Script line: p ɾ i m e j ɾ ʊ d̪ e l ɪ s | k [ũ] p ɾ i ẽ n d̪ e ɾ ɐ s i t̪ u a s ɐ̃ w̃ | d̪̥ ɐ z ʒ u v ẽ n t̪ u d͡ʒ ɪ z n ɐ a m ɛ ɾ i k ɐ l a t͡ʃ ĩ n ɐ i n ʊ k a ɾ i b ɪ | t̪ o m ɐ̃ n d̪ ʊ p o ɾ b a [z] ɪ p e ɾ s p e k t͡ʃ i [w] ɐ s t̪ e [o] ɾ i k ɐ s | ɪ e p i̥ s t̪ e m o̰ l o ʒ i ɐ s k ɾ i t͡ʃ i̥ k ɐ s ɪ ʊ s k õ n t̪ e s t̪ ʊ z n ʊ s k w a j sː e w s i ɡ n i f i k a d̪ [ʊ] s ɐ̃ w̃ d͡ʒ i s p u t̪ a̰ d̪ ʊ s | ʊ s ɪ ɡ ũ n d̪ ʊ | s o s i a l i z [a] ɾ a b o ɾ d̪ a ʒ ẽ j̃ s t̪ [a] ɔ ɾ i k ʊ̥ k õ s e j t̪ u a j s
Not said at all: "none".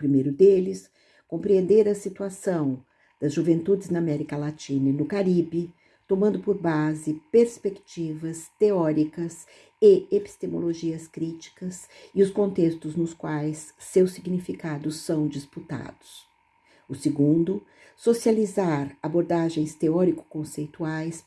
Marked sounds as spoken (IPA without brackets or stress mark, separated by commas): õ, z, v, ɔ, ʊ, a, e